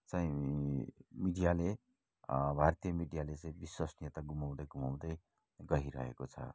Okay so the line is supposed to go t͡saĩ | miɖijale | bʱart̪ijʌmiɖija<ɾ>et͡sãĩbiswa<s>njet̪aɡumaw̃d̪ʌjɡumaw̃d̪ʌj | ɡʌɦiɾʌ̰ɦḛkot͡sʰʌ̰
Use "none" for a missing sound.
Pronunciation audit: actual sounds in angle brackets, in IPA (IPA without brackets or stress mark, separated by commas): l, s